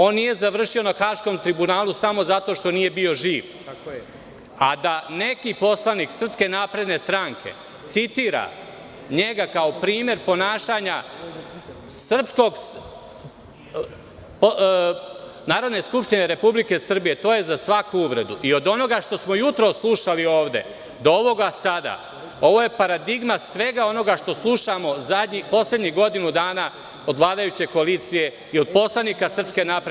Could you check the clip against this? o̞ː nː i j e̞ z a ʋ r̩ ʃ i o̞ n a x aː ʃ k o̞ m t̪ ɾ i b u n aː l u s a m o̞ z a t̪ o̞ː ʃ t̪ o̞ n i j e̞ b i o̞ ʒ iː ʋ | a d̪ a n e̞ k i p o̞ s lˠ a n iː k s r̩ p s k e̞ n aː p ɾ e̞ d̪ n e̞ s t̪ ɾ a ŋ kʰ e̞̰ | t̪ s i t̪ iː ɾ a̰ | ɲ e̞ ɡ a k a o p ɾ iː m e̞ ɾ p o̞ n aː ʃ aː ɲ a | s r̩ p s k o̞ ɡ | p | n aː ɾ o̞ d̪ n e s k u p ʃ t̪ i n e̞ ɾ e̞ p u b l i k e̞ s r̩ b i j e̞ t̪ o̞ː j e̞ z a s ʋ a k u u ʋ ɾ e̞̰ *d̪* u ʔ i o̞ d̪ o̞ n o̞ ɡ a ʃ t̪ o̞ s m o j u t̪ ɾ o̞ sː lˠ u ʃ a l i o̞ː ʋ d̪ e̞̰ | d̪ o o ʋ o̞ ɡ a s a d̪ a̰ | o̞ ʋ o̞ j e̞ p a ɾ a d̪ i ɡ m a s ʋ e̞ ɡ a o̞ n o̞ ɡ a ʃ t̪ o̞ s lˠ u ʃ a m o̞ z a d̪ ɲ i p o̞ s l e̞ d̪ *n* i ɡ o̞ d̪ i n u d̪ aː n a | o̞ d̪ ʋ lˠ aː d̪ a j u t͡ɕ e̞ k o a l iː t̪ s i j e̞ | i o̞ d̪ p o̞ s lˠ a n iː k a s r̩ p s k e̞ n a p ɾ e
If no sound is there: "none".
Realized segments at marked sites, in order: d̪, ɲ

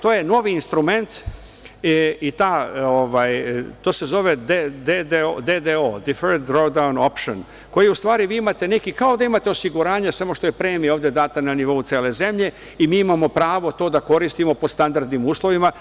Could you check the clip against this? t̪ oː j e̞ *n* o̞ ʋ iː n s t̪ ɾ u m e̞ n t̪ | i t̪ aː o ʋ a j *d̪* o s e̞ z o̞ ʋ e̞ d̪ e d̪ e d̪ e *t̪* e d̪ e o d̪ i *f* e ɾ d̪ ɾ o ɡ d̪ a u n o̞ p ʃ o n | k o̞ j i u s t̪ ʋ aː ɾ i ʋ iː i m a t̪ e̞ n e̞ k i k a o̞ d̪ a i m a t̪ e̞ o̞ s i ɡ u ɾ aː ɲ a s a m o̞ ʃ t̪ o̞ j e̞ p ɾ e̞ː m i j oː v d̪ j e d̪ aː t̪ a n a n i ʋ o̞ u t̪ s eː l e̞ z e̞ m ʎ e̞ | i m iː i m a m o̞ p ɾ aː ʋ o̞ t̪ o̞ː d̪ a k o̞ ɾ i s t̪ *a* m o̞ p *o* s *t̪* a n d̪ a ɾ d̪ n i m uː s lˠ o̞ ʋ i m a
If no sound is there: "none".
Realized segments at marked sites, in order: n, t̪, d̪, f, i, o, t̪

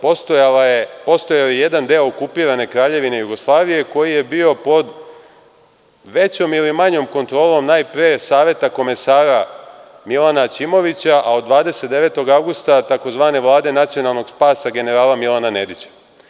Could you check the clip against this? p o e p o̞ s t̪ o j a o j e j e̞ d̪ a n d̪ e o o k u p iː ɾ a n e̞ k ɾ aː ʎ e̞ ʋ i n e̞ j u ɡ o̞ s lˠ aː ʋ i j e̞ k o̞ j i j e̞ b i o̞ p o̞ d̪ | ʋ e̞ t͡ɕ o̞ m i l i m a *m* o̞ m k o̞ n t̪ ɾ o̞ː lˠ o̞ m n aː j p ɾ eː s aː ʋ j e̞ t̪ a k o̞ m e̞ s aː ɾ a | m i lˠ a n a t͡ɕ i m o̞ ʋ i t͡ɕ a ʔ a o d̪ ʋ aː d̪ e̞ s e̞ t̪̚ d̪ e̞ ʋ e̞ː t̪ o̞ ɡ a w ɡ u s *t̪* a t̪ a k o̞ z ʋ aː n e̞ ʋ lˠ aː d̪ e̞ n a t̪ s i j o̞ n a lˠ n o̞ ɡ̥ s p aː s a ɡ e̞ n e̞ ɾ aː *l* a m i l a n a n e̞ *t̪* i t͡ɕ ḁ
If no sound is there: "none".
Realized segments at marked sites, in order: ɲ, t̪, l, d̪

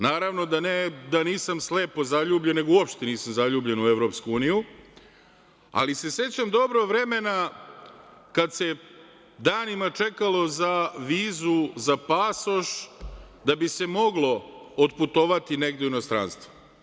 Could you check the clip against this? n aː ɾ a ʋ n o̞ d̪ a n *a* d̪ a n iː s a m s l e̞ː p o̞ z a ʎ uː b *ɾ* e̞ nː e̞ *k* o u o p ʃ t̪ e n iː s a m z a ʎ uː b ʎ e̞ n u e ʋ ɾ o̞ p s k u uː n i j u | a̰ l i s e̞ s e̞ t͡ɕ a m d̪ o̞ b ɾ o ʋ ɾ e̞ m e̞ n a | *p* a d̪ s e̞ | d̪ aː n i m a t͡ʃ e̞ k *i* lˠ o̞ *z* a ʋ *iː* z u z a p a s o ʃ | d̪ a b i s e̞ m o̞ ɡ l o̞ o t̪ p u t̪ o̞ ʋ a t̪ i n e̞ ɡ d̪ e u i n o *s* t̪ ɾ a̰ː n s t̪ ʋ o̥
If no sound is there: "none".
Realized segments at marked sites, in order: e, ʎ, ɡ, k, a, z, iː, s

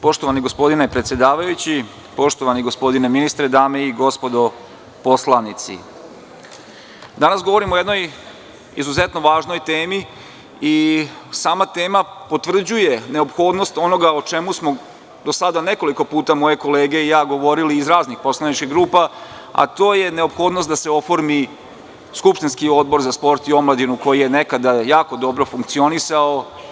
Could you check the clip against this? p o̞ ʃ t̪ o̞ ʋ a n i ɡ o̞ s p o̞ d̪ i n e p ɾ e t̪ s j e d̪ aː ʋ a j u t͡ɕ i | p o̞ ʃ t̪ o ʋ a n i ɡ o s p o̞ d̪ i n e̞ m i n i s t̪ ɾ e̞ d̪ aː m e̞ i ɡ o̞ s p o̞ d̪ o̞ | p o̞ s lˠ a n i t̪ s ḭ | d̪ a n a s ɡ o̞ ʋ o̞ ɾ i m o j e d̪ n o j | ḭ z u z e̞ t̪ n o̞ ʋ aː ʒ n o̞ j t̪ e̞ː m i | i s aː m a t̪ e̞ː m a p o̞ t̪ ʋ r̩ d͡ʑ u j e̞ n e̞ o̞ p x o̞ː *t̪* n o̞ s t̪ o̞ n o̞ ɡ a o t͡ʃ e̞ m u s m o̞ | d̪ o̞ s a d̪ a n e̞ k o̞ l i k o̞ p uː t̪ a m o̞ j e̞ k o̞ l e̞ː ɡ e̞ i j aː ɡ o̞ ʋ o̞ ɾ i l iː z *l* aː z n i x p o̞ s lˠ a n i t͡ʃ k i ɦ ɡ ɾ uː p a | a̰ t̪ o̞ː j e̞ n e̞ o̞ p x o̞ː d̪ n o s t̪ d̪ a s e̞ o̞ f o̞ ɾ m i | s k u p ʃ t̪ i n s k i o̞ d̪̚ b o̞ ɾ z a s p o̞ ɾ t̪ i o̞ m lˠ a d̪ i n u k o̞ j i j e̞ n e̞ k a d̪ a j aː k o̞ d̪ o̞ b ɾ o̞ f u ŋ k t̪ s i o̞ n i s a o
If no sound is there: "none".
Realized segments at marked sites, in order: d̪, ɾ

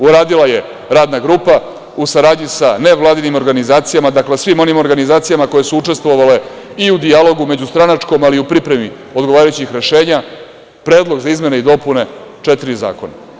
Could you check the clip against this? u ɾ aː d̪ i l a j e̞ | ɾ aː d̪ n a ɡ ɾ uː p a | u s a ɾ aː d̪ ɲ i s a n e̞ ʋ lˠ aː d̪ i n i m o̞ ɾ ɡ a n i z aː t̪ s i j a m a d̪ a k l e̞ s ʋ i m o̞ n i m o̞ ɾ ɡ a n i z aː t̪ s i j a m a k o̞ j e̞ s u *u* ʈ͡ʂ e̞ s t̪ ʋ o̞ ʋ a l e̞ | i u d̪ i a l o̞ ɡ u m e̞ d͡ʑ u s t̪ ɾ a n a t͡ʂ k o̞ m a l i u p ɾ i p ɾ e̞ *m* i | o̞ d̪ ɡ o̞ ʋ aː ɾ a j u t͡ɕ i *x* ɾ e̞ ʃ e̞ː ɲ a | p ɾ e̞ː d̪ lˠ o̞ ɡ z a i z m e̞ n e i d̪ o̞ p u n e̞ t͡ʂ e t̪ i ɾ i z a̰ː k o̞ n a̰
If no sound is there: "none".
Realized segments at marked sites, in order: u, m, x

